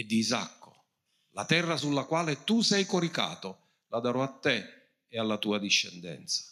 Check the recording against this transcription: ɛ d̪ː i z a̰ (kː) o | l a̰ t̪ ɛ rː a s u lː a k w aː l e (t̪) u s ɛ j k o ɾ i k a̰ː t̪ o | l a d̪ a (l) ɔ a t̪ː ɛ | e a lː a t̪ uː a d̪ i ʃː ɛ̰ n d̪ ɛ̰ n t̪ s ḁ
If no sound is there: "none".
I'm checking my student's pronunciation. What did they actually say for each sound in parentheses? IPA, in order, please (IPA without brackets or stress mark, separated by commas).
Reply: kː, t̪, ɾ